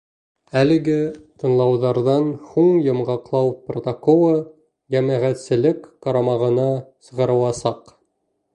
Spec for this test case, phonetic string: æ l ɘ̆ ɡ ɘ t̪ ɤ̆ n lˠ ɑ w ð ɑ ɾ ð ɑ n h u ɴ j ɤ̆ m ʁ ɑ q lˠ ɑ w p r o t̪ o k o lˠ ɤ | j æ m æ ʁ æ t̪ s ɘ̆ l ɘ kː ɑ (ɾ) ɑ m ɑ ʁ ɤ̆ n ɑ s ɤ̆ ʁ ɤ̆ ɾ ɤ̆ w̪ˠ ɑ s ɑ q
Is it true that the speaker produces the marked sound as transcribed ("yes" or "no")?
yes